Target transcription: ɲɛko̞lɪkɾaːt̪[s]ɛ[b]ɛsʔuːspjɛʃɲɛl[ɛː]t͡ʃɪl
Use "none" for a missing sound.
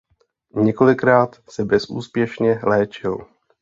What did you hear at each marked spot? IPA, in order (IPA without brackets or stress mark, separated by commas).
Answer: s, b, ɛː